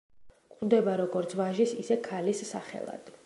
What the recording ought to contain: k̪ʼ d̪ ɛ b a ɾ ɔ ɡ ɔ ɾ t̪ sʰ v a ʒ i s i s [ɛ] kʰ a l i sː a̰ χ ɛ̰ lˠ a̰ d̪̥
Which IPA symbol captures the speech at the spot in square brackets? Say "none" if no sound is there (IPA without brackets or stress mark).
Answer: ɛ